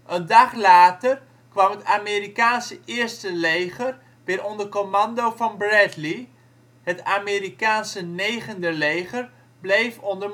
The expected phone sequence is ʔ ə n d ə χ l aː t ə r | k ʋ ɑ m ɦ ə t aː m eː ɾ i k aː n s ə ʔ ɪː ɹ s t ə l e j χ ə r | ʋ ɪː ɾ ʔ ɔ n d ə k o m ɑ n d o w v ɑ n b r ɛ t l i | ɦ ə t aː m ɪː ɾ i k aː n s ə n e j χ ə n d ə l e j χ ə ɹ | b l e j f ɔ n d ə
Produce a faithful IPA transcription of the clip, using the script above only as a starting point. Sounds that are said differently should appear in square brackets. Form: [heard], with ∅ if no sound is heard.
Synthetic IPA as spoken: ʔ ə n d [ɑ] χ l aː t ə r | k ʋ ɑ m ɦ ə t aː m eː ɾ i k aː n s ə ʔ ɪː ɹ s t ə l e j χ ə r | ʋ ɪː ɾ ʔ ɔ n d ə k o m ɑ n d o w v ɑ n b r ɛ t l i | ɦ ə t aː m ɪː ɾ i k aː n s ə n e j χ ə n d ə l e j χ ə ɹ | b l e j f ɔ n d ə